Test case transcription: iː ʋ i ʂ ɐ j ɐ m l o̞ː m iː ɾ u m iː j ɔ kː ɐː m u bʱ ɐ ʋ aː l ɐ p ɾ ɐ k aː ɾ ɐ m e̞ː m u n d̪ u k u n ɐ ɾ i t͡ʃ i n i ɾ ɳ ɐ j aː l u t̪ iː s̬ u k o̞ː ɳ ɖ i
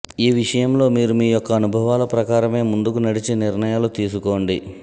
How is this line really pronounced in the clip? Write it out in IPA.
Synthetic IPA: iː ʋ i ʂ ɐ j ɐ m l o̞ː m iː ɾ u m iː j ɔ kː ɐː n u bʱ ɐ ʋ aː l ɐ p ɾ ɐ k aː ɾ ɐ m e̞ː m u n d̪ u k u n ɐ ɽ i t͡ʃ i n i ɾ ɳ ɐ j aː l u t̪ iː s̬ u k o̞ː ɳ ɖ i